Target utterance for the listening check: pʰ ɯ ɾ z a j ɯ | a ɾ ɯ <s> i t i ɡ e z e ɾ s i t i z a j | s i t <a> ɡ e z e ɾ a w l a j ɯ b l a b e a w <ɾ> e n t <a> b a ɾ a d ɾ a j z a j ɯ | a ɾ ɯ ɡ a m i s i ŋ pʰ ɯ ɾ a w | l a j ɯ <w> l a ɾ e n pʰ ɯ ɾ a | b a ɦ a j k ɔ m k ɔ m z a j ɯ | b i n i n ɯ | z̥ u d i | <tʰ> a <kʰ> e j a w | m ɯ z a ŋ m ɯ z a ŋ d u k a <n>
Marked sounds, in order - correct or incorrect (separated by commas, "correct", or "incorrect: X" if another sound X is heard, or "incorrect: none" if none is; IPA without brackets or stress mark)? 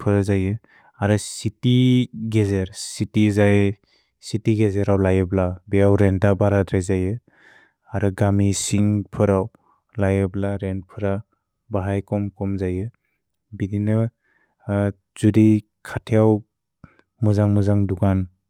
correct, incorrect: i, correct, correct, incorrect: b, incorrect: kʰ, incorrect: tʰ, correct